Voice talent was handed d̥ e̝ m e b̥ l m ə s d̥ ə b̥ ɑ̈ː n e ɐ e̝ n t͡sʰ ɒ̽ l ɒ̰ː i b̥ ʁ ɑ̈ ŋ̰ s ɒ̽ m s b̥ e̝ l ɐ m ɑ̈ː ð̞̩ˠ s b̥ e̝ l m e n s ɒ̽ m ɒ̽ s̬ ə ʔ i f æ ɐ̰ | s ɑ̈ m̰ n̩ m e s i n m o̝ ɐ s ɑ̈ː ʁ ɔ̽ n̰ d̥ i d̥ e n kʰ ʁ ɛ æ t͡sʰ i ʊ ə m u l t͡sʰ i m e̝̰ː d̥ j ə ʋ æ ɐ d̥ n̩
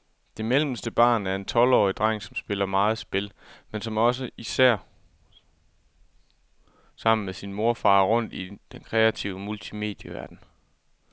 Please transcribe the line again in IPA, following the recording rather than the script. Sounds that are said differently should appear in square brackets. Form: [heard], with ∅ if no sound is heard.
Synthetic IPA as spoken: d̥ e̝ m e [∅] l m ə s d̥ ə b̥ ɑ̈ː n [æ] ɐ e̝ n t͡sʰ ɒ̽ l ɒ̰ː i [d̥] ʁ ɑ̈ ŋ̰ s ɒ̽ m s b̥ e̝ l ɐ m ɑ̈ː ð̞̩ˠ s b̥ e̝ l m e n s ɒ̽ m ɒ̽ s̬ ə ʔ i [s] æ ɐ̰ | s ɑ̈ m̰ n̩ m e s i n m o̝ ɐ [f] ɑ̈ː ʁ ɔ̽ n̰ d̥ i d̥ e n kʰ ʁ ɛ æ t͡sʰ i ʊ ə m u l t͡sʰ i m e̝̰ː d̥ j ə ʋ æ ɐ d̥ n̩